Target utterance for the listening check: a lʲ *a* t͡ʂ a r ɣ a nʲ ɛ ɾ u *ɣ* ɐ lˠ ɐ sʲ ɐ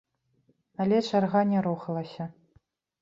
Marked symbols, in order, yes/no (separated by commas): no, no